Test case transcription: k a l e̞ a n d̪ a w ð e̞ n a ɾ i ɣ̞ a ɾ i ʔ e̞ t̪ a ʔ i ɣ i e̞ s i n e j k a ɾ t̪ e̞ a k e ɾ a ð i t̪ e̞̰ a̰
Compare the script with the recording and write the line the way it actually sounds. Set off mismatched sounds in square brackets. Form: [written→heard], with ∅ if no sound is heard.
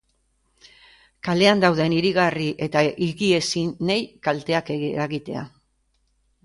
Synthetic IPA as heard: k a l e̞ a n d̪ a w ð e̞ n [a→i] ɾ i ɣ̞ a [ɾ→r] i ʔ e̞ t̪ a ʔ i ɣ i e̞ s i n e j k a [ɾ→l] t̪ e̞ a k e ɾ a [ð→ɣ] i t̪ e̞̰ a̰